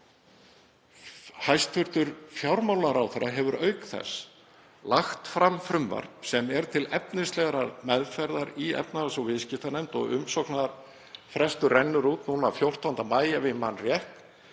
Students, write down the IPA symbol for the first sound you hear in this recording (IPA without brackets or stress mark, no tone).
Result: h